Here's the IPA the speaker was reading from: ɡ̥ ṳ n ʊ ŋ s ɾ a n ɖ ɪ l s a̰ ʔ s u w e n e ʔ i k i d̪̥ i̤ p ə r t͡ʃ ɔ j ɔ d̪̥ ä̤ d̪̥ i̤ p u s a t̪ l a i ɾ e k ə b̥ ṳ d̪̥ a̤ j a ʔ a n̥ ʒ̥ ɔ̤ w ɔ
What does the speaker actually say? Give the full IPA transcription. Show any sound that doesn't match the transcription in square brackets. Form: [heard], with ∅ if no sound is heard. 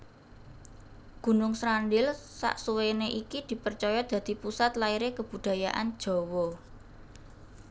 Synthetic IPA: ɡ̥ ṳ n ʊ ŋ s ɾ a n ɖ ɪ l s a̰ ʔ s u w e n e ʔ i k i d̪̥ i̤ p ə r t͡ʃ ɔ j ɔ d̪̥ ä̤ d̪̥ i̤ p u s a t̪ l a i ɾ e k ə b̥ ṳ d̪̥ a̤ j a ʔ a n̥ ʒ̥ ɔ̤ w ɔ